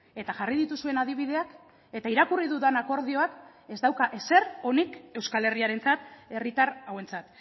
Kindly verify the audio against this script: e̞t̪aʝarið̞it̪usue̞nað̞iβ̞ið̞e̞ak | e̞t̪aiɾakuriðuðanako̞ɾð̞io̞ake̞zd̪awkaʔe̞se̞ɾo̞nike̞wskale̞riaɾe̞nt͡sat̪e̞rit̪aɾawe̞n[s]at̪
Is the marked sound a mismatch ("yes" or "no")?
yes